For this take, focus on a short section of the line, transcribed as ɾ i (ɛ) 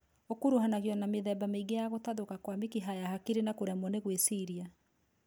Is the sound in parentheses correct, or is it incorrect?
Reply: incorrect